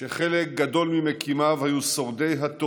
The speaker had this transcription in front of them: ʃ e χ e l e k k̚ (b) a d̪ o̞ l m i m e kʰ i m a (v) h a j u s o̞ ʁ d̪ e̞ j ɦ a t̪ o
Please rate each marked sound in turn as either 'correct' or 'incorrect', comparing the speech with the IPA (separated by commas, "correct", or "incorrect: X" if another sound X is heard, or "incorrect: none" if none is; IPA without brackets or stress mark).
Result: incorrect: ɡ, correct